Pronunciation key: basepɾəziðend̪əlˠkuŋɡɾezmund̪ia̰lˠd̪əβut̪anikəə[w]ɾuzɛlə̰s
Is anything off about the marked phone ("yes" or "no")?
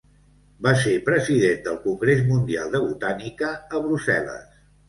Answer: yes